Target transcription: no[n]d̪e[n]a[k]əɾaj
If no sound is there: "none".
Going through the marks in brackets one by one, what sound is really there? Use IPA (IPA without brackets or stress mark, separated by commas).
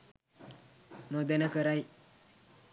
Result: none, n, k